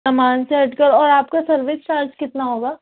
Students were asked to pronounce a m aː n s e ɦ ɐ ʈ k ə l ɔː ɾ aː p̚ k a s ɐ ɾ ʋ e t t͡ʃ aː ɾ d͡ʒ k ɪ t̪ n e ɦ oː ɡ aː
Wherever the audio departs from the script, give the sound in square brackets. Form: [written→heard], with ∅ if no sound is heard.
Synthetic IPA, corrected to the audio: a m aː n s e ɦ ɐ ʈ k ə [l→ɾ] ɔː ɾ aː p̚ k a s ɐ ɾ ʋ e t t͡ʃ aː ɾ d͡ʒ k ɪ t̪ n [e→a] ɦ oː ɡ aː